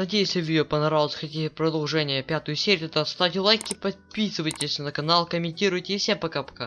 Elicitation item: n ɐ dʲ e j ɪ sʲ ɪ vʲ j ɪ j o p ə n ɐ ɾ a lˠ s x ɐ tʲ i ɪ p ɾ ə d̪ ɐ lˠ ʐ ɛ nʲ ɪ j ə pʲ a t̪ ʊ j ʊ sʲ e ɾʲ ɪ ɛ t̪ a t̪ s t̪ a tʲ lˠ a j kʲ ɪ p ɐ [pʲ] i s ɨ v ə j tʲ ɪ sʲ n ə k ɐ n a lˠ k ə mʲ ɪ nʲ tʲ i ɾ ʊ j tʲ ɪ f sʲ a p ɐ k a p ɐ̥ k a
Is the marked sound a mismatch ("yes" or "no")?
no